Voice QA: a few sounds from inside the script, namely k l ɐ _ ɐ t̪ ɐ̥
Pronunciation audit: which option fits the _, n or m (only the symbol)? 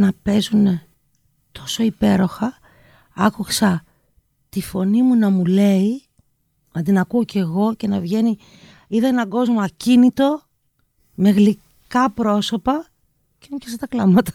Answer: m